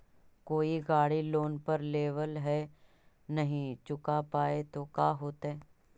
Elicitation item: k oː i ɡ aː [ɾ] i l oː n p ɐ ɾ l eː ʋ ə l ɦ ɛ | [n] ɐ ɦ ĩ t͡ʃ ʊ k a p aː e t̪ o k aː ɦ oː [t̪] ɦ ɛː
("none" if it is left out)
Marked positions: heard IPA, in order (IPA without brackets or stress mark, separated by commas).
ɽ, n, t̪